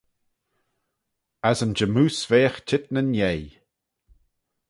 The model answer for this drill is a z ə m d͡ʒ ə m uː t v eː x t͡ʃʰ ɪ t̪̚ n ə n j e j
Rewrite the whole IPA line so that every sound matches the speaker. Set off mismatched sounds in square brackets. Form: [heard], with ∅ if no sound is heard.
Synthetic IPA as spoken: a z ə [n] d͡ʒ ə m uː [s] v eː x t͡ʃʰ ɪ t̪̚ n ə n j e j